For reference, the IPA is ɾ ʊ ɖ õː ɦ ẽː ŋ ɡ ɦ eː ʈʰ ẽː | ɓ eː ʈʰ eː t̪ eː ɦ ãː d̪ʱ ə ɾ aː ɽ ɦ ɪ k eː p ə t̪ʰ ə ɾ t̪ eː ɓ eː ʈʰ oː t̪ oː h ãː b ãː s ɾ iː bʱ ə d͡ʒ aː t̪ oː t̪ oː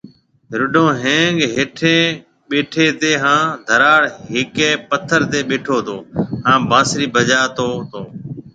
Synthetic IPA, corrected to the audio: ɾ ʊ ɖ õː ɦ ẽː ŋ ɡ ɦ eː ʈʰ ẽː | ɓ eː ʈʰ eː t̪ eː ɦ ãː d̪ʱ ə ɾ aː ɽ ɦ ɪ k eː p ə t̪ʰ ə ɾ t̪ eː ɓ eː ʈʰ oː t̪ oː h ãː b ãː s ɾ iː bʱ ə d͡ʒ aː t̪ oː t̪ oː